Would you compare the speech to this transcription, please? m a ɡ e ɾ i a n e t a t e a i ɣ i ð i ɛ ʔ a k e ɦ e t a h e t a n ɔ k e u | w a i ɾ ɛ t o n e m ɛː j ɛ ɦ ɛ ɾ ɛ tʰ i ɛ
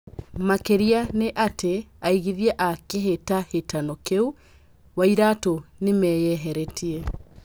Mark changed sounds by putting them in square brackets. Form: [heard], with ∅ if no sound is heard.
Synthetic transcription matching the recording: m a [k] e ɾ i a n e [ʔ] a t e a i ɣ i ð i ɛ ʔ a k e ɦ e t a h e t a n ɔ k e u | w a i ɾ [a] t o n e m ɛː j ɛ ɦ ɛ ɾ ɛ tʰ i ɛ